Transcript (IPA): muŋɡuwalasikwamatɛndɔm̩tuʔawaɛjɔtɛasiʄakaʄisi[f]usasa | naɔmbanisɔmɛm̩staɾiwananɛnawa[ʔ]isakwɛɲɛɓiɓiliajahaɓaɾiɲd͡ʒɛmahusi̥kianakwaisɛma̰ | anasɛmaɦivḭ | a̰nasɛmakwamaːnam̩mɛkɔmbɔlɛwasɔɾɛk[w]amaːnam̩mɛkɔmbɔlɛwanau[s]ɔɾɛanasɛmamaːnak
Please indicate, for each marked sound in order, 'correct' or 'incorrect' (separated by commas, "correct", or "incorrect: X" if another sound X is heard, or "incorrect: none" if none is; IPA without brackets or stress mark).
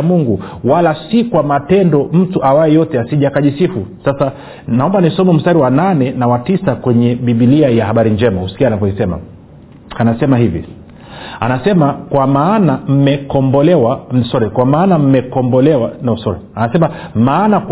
correct, incorrect: t, correct, correct